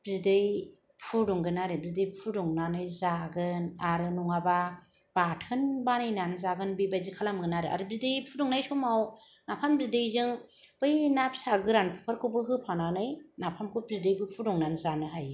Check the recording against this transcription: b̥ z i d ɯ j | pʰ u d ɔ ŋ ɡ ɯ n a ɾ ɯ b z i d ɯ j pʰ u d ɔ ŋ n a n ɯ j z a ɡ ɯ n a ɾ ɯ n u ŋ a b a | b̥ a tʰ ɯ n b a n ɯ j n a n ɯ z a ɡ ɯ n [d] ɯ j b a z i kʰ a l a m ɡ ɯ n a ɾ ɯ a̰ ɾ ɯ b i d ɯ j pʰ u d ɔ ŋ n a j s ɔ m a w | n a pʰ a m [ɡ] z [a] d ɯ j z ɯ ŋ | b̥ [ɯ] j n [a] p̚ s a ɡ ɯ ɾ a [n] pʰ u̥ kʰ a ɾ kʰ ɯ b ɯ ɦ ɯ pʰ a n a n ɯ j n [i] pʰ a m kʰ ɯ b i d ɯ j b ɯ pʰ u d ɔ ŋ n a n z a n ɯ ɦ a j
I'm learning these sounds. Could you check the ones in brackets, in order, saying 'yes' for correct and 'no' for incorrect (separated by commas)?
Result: no, no, no, yes, yes, yes, no